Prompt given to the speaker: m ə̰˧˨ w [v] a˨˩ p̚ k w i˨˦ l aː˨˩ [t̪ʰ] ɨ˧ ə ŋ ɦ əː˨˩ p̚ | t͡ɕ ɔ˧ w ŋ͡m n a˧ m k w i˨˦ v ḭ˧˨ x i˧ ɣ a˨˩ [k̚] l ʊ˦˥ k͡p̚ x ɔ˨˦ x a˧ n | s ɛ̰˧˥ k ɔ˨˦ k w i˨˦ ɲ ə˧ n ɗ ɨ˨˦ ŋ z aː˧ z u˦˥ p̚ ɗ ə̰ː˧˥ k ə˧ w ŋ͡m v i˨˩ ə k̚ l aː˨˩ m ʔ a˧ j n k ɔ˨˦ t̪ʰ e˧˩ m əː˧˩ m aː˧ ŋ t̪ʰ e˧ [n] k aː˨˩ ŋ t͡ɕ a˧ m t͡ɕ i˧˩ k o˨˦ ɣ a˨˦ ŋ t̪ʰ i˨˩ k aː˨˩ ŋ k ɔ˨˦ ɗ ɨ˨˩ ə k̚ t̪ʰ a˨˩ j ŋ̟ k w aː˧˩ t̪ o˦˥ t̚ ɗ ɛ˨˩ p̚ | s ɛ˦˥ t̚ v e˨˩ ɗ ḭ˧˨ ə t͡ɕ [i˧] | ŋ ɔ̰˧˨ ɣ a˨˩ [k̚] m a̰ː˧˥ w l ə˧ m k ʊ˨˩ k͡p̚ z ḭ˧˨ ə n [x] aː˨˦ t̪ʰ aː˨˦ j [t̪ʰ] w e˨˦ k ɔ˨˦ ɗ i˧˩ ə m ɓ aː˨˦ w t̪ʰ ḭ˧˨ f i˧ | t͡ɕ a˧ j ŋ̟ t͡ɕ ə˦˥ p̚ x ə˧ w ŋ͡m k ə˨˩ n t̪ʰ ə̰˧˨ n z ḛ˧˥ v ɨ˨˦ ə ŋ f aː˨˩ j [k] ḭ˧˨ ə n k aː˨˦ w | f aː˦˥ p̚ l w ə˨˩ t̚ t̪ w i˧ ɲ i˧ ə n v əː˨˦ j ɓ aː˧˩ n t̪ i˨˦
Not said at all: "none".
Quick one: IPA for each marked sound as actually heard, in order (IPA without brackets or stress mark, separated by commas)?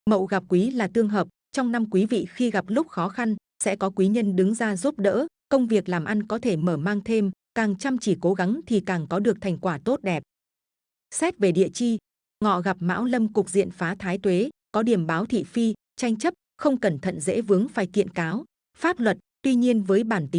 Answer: ɣ, t̪, p̚, m, i˧, p̚, f, t̪, k